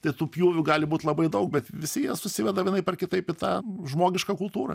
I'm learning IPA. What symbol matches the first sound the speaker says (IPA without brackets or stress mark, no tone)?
t̪